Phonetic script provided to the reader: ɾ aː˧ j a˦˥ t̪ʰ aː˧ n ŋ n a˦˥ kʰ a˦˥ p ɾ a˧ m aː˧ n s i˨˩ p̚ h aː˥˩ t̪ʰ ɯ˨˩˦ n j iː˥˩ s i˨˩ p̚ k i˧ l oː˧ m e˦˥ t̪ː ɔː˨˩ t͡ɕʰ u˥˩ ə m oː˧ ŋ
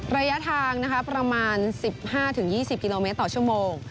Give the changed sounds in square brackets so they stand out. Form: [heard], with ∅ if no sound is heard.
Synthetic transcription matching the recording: ɾ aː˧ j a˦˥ t̪ʰ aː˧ [∅] ŋ n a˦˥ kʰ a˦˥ p ɾ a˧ m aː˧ n s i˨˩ p̚ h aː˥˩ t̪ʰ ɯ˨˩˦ [ŋ] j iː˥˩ s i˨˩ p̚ k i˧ l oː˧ m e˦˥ t̪ː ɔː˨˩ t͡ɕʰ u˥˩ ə m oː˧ ŋ